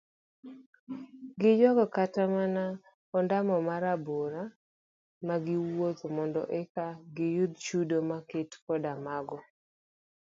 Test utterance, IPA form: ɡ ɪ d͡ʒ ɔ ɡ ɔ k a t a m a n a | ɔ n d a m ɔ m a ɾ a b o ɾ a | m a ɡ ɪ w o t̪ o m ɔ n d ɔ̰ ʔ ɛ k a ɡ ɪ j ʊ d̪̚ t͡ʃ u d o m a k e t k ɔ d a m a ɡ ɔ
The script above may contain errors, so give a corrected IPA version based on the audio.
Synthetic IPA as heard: ɡ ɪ d͡ʒ ɔ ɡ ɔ k a t a m a n a | ɔ n d a m ɔ m a ɾ a b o ɾ a | m a ɡ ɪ w o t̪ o m ɔ n d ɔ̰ ʔ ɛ k a ɡ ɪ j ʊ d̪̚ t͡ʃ u d o m a k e t k ɔ d a m a ɡ ɔ